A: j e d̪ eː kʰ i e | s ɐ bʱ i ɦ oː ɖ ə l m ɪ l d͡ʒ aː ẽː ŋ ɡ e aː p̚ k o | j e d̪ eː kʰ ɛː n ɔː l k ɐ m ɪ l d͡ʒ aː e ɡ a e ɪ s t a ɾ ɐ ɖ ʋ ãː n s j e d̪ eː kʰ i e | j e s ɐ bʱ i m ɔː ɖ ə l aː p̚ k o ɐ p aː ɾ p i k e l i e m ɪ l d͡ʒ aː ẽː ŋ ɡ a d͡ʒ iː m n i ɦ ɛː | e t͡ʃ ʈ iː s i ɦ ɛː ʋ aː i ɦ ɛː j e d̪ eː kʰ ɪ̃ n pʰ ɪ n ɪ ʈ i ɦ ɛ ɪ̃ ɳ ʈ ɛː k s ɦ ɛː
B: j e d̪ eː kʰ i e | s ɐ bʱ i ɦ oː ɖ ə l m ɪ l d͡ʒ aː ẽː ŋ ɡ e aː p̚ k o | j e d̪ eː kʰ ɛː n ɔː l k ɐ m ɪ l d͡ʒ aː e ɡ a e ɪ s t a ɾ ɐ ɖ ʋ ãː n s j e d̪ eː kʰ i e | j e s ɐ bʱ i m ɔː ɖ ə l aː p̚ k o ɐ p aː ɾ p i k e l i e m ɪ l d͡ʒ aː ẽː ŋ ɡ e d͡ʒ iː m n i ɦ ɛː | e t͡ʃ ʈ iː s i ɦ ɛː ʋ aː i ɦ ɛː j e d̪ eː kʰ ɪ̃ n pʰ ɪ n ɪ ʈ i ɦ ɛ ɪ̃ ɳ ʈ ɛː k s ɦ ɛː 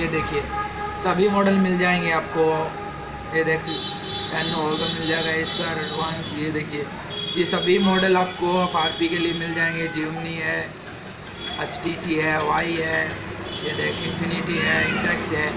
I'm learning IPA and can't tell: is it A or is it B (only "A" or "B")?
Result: B